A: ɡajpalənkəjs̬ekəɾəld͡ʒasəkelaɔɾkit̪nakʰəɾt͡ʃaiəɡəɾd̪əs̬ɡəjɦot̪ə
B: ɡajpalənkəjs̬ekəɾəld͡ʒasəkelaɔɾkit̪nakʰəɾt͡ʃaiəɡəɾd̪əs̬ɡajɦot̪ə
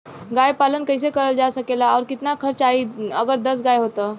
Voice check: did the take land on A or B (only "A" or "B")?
B